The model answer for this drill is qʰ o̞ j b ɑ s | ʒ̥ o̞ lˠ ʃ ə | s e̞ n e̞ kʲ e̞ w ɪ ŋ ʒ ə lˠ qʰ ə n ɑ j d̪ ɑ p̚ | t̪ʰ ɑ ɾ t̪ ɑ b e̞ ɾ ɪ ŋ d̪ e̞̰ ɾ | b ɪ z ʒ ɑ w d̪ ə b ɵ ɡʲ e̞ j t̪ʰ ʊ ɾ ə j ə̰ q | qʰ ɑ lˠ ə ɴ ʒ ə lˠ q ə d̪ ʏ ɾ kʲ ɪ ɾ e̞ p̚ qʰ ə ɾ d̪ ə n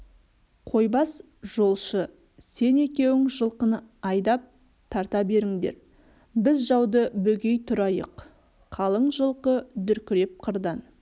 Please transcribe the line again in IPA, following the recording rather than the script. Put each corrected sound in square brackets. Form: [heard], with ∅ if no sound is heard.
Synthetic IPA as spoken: qʰ o̞ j b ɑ s | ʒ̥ o̞ lˠ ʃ ə | s e̞ n e̞ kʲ e̞ w ɪ ŋ ʒ ə lˠ [q] ə n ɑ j d̪ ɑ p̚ | t̪ʰ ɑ ɾ t̪ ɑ b e̞ ɾ ɪ ŋ d̪ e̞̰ ɾ | b ɪ z ʒ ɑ w d̪ ə b ɵ ɡʲ e̞ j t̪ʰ ʊ ɾ [ɑ] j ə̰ q | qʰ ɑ lˠ ə ɴ ʒ ə lˠ q ə d̪ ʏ ɾ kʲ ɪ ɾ e̞ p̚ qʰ ə ɾ d̪ [ɑ] n